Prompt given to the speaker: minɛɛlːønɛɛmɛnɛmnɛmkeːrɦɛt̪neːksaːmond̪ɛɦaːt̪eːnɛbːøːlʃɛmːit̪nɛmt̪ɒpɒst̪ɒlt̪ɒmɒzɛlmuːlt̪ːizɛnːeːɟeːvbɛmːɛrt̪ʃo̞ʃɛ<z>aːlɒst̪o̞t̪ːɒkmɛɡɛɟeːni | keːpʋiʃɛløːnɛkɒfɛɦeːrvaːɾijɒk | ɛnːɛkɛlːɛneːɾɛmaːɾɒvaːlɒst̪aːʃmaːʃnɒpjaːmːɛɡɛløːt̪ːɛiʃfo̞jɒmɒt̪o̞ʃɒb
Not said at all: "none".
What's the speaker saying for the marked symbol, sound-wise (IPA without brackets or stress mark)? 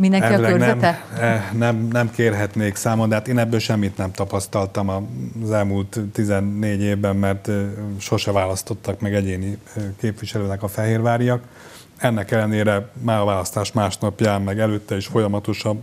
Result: v